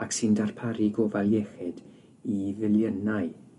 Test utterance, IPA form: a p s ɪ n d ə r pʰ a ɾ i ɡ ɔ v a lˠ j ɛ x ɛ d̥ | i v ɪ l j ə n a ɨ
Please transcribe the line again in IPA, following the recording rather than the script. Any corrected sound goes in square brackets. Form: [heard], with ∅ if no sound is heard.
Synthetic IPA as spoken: a [k] s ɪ n d [a] r pʰ a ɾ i ɡ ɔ v a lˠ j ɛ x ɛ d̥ | i v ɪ l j ə n a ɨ